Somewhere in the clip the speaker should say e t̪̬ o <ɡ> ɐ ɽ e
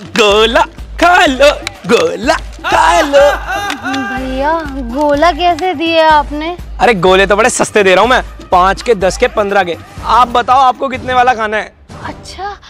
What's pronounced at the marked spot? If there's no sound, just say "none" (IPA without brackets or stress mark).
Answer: b